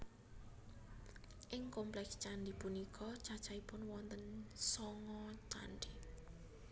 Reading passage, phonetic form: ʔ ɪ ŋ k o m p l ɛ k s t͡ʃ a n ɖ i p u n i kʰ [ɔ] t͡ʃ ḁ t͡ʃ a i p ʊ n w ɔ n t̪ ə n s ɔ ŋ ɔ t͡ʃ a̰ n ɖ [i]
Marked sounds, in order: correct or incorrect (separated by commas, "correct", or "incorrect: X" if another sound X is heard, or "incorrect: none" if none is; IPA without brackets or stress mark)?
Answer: correct, correct